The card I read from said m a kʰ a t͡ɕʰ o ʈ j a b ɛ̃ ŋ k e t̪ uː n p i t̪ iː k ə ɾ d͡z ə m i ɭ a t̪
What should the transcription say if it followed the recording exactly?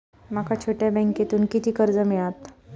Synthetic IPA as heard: m a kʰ a t͡ɕʰ o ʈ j a b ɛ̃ ŋ k e t̪ uː n k i t̪ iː k ə ɾ d͡z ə m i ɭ a t̪

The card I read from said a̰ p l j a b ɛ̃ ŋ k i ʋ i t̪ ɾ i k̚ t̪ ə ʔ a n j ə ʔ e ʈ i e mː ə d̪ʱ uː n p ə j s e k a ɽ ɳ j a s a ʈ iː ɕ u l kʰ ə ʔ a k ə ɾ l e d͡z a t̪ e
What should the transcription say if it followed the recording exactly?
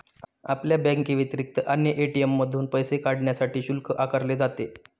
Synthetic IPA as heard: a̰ p l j a b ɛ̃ ŋ k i ʋ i t̪ ɾ i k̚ t̪ ə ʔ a n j ə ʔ e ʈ i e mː ə d̪ʱ uː n p ə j s e k a ɽ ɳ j a s a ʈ iː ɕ u l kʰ ə ʔ a k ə ɾ l e d͡z a t̪ e

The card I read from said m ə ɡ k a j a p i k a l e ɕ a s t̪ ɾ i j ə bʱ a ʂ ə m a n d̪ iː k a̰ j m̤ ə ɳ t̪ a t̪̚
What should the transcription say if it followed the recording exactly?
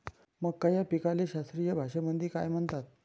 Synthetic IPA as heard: m ə ɡ k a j a p i k a l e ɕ a s t̪ ɾ i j ə bʱ a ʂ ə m ə n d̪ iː k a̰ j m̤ ə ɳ t̪ a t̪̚

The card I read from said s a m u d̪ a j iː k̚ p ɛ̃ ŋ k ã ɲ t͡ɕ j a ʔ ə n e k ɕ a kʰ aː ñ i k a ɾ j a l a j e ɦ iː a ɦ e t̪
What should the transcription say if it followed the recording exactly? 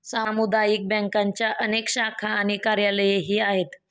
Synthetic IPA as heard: s a m u d̪ a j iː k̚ b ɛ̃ ŋ k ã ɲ t͡ɕ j a ʔ ə n e k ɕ a kʰ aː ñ i k a ɾ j a l ə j e ɦ iː a ɦ e t̪

